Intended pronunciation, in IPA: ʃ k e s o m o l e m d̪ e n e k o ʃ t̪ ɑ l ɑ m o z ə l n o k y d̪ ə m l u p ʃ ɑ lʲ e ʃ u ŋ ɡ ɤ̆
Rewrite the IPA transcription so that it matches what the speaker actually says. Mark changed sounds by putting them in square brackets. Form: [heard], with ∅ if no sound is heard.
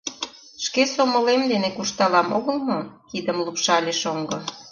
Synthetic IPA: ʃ k e s o m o l e m d̪ e n e k [u] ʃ t̪ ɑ l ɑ m o [ɣ] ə l [m] o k [i] d̪ ə m l u p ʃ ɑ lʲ e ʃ [o] ŋ ɡ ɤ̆